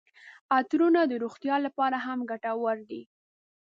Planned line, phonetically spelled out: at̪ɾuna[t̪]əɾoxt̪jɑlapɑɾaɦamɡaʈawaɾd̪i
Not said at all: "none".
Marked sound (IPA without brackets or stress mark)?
d̪